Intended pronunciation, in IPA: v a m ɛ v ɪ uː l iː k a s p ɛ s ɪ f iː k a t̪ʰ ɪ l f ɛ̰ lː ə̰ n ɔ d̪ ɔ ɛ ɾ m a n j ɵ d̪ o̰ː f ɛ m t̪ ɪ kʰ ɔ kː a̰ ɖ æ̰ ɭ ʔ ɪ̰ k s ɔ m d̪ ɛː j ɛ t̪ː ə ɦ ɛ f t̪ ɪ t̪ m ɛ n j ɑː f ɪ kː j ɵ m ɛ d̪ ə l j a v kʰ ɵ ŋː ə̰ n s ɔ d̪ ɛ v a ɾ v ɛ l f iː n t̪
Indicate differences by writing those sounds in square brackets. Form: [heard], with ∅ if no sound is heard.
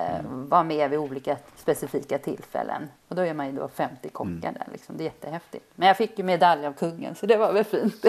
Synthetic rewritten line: v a m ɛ v ɪ uː l iː k a s p ɛ s ɪ f iː k a t̪ʰ ɪ l f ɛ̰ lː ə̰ n ɔ d̪ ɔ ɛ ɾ m a n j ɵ d̪ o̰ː f ɛ m t̪ ɪ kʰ ɔ kː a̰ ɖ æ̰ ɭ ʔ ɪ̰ k s ɔ m d̪ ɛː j ɛ t̪ː ə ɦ ɛ f t̪ ɪ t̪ m ɛ n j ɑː f ɪ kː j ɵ m ɛ d̪ [a] l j a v kʰ ɵ ŋː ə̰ n s ɔ d̪ ɛ v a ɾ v ɛ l f iː n t̪